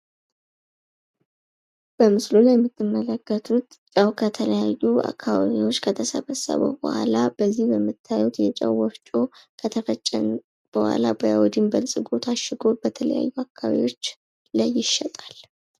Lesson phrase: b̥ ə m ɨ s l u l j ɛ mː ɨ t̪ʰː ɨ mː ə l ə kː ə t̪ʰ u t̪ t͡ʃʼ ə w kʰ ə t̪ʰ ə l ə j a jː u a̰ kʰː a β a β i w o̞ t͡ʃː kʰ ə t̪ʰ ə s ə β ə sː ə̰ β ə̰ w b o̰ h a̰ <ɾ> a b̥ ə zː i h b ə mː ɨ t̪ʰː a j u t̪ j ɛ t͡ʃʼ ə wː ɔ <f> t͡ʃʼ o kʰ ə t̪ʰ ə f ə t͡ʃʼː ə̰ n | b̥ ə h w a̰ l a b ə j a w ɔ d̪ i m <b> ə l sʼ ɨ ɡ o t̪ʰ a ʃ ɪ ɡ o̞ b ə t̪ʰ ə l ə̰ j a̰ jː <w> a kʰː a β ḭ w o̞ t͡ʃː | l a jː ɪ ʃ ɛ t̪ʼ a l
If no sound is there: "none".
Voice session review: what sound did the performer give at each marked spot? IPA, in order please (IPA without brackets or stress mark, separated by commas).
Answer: l, f, b, u